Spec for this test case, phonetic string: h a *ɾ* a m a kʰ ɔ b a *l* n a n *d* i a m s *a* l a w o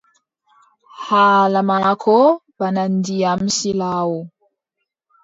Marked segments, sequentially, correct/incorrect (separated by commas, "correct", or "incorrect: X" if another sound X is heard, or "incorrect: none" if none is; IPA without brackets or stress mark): incorrect: l, incorrect: none, correct, incorrect: i